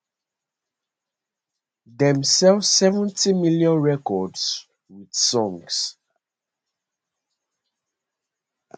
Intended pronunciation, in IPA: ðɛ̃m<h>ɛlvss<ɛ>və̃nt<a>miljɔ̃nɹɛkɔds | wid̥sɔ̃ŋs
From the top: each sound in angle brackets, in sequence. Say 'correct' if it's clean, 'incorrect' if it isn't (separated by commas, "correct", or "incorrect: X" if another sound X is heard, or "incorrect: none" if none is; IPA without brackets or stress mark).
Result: incorrect: s, correct, incorrect: i